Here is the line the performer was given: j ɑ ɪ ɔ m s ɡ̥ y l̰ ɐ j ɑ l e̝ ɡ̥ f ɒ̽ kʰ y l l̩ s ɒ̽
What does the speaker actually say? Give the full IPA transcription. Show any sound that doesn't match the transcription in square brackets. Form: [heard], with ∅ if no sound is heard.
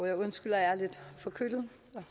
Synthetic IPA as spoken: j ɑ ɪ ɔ [n] s ɡ̥ y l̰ ɐ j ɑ l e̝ [d̥] f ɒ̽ kʰ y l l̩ s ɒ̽